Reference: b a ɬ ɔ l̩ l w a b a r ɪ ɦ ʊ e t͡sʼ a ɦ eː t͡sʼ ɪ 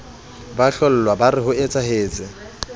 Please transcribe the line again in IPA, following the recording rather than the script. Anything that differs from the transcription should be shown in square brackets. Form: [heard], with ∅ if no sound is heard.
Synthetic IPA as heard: b a ɬ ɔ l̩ l w a b a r ɪ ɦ ʊ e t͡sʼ a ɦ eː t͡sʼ ɪ